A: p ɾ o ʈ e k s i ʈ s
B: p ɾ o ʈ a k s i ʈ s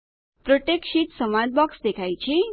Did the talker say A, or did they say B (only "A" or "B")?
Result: A